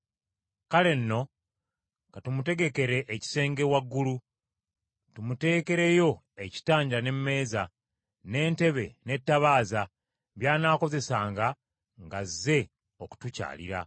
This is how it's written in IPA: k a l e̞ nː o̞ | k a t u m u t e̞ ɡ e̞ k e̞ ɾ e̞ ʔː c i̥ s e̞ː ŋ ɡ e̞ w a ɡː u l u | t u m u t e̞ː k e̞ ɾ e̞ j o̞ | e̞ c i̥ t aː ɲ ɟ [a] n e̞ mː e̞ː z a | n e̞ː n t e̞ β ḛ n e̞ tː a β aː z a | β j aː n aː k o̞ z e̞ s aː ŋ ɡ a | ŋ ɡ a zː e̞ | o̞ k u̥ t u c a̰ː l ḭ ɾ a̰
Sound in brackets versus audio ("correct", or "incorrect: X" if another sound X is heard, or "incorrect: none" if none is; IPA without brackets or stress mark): correct